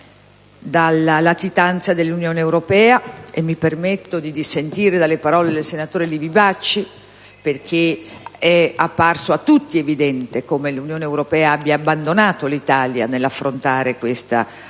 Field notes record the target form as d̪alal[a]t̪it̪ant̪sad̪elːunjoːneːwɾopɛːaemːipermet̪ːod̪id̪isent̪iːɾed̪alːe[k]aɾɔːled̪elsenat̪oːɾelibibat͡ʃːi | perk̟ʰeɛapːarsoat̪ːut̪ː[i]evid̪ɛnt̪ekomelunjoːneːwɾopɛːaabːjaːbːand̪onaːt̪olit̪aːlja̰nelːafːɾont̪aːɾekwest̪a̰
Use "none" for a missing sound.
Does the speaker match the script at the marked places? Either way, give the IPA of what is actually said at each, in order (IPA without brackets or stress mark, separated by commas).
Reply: a, p, i